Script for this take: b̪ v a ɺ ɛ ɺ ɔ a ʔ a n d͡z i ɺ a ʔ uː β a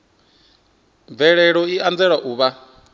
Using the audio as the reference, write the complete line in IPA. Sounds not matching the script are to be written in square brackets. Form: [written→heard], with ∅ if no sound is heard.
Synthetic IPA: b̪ v [a→ɛ] ɺ ɛ ɺ ɔ [a→i] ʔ a n d͡z [i→ɛ] ɺ a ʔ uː β a